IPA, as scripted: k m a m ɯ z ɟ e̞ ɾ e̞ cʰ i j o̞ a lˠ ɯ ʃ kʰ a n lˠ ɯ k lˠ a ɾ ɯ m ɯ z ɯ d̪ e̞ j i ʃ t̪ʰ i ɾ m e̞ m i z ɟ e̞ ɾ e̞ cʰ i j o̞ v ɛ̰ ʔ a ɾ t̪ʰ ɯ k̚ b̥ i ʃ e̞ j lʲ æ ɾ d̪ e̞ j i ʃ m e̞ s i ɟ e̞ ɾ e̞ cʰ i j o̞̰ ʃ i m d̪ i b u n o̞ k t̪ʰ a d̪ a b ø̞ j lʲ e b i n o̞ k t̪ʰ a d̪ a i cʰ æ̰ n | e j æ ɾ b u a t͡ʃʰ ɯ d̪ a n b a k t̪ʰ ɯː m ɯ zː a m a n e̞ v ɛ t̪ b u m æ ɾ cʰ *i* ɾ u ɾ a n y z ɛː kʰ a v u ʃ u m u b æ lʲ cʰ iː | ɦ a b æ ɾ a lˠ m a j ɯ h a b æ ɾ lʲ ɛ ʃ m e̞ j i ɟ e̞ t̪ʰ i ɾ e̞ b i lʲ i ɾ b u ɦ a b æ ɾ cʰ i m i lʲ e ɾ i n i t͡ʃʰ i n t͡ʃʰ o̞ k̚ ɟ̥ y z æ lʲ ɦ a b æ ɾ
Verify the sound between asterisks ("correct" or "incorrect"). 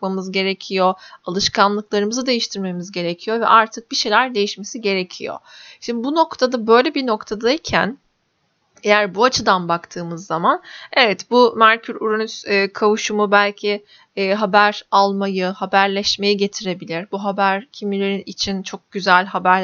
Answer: incorrect